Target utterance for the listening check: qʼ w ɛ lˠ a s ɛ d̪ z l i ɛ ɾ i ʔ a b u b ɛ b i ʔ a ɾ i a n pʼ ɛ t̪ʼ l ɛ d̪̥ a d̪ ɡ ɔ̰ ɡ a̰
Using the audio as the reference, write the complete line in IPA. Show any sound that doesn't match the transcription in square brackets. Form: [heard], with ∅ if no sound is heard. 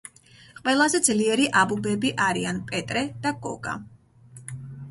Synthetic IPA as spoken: qʼ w ɛ lˠ a [z] ɛ d̪ z l i ɛ ɾ i ʔ a b u b ɛ b i ʔ a ɾ i a n pʼ ɛ t̪ʼ [ɾ] ɛ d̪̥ a [∅] ɡ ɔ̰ ɡ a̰